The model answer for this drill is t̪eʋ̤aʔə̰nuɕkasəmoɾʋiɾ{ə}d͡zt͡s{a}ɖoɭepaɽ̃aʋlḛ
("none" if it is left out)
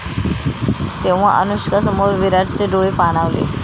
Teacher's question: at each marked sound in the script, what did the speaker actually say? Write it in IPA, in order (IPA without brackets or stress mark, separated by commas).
a, e